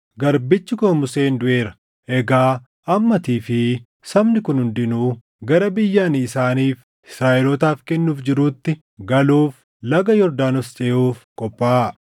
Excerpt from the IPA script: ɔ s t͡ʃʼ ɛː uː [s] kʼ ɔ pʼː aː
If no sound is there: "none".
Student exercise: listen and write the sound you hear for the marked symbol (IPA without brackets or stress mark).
f